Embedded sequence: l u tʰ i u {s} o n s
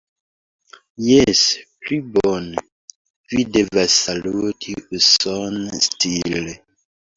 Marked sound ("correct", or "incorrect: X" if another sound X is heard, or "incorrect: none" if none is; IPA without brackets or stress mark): correct